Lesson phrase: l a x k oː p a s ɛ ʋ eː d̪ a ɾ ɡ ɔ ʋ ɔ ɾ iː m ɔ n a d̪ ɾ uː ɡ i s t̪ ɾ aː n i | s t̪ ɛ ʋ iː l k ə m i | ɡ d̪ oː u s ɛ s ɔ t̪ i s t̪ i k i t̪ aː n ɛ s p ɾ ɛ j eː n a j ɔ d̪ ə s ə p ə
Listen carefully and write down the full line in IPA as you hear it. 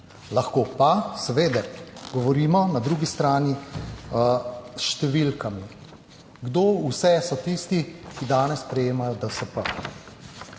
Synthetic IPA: l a x k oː p a s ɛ ʋ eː d̪ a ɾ ɡ ɔ ʋ ɔ ɾ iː m ɔ n a d̪ ɾ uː ɡ i s t̪ ɾ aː n i | ʃ t̪ ɛ ʋ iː l k a m i | ɡ d̪ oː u s ɛ s ɔ t̪ i s t̪ i k i d̪ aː n ɛ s p ɾ ɛ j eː m a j ɔ d̪ ə s ə p ə